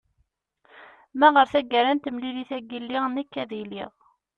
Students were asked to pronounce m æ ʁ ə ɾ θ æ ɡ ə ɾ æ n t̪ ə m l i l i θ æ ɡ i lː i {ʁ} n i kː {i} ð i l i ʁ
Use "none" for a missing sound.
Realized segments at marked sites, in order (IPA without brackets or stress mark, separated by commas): ʁ, æ